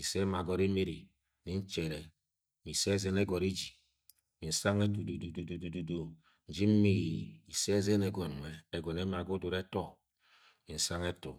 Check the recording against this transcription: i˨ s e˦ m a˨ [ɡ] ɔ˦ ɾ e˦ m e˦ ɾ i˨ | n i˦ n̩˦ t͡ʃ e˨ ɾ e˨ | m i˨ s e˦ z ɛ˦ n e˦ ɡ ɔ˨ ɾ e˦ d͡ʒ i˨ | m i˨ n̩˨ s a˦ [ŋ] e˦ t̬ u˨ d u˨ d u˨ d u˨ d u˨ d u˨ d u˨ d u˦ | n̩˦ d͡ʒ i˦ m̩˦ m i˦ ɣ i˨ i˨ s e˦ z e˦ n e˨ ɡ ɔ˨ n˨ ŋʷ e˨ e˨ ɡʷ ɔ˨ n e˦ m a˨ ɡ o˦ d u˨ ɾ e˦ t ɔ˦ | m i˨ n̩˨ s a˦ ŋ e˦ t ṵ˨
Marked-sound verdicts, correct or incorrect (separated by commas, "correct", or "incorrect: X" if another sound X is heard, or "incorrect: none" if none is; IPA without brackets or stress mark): correct, correct